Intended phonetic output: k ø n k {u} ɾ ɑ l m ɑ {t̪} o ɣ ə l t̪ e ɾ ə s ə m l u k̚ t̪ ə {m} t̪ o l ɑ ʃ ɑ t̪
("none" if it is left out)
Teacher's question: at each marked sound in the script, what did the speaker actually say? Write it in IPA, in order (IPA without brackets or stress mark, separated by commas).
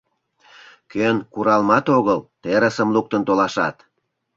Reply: u, t̪, n